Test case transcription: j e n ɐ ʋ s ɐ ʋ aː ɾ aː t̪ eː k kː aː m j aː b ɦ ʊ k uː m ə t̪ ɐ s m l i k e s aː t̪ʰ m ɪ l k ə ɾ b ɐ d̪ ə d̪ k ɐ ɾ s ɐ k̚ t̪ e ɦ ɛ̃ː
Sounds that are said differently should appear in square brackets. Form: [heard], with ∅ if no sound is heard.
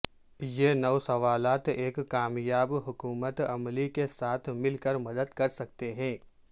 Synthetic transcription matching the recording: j e n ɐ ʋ s ɐ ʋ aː [l] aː t̪ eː k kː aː m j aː b ɦ ʊ k uː m ə t̪ ɐ [∅] m l i k e s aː t̪ʰ m ɪ l k ə ɾ [m] ɐ d̪ ə d̪ k ɐ ɾ s ɐ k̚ t̪ e ɦ ɛ̃ː